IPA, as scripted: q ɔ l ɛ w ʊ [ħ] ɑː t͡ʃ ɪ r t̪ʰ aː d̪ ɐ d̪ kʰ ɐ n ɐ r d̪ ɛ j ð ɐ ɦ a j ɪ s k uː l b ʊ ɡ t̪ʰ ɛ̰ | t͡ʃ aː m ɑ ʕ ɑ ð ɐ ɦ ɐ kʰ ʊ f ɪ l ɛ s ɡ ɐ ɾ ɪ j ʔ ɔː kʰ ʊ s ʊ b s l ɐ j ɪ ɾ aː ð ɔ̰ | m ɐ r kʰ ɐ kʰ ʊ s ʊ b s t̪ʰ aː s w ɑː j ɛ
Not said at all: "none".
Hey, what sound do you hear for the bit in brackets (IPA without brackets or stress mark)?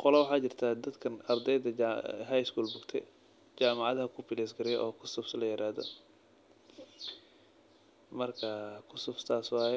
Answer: ħ